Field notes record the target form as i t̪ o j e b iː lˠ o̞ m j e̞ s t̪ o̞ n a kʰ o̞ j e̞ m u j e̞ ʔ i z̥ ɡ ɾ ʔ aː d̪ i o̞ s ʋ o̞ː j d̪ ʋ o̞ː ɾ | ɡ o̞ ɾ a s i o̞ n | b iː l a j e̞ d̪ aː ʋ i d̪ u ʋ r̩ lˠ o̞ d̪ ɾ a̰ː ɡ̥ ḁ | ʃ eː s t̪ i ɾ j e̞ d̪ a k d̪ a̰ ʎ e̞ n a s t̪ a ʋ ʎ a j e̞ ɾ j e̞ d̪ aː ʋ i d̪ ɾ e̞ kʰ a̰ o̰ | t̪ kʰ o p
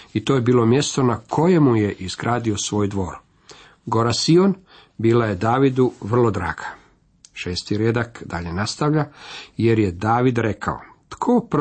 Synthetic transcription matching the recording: i t̪ o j e b iː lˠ o̞ m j e̞ s t̪ o̞ n a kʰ o̞ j e̞ m u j e̞ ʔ i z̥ ɡ ɾ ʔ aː d̪ i o̞ s ʋ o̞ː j d̪ ʋ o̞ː ɾ | ɡ o̞ ɾ a s i o̞ n | b iː l a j e̞ d̪ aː ʋ i d̪ u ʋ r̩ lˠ o̞ d̪ ɾ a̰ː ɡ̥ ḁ | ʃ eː s t̪ i ɾ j e̞ d̪ a k d̪ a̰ ʎ e̞ n a s t̪ a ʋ ʎ a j e̞ ɾ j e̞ d̪ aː ʋ i d̪ ɾ e̞ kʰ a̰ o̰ | t̪ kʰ o p